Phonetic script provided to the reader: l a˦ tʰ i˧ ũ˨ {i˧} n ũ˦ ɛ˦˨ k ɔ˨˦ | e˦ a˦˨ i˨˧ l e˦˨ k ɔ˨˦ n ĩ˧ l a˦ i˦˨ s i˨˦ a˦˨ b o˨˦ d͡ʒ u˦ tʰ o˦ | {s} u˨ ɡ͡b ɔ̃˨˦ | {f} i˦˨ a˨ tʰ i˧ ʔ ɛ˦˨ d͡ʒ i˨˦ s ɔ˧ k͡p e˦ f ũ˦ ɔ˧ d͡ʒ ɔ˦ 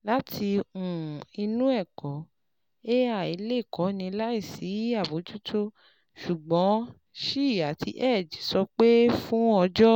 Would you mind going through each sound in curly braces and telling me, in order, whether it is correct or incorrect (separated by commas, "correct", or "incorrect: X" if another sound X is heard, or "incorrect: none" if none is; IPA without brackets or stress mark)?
correct, incorrect: ʃ, incorrect: ʃ